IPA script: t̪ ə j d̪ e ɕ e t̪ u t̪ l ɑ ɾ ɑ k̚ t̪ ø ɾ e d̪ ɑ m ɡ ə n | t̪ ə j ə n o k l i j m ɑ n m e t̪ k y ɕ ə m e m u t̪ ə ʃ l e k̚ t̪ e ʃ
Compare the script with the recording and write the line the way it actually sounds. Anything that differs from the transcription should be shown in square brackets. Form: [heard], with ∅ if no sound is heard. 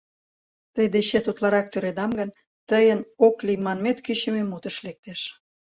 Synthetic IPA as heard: t̪ ə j d̪ e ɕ e t̪ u t̪ l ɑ ɾ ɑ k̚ t̪ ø ɾ e d̪ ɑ m ɡ ə n | t̪ ə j ə n o k l i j m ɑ n m e t̪ k y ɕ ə m e m u t̪ ə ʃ l e k̚ t̪ e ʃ